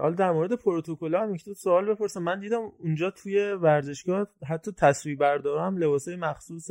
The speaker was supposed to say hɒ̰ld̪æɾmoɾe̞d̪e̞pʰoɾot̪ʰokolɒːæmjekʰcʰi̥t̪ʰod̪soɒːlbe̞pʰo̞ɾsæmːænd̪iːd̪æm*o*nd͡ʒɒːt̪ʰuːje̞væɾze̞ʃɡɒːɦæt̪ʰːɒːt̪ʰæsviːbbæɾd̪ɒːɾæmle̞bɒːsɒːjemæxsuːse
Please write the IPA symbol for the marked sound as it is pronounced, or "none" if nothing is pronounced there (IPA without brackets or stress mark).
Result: u